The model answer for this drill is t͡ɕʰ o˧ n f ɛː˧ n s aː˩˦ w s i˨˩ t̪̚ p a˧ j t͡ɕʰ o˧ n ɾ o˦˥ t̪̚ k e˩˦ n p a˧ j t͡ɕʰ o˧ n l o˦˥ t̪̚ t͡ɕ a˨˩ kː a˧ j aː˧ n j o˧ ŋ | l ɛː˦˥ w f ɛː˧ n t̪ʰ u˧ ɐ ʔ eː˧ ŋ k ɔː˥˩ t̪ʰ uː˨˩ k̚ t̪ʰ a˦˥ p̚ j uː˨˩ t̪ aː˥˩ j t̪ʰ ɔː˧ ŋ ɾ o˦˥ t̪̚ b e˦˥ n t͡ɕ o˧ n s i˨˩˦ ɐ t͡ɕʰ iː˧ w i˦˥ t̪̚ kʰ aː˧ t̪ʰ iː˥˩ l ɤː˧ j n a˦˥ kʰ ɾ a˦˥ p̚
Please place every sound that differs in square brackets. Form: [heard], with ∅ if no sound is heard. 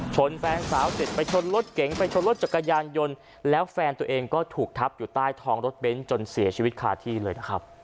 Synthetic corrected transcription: t͡ɕʰ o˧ n f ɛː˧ n s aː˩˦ w s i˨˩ t̪̚ p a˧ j t͡ɕʰ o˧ n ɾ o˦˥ t̪̚ k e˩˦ [ŋ] p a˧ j t͡ɕʰ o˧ n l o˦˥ t̪̚ t͡ɕ a˨˩ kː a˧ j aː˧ n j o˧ [n] | l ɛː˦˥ w f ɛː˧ n [t̪] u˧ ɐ ʔ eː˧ ŋ k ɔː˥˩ t̪ʰ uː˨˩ k̚ t̪ʰ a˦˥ p̚ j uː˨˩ t̪ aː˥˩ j t̪ʰ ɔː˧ ŋ ɾ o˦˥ t̪̚ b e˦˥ n t͡ɕ o˧ n s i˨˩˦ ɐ t͡ɕʰ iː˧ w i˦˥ t̪̚ kʰ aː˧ t̪ʰ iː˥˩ l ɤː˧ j n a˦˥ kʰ ɾ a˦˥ p̚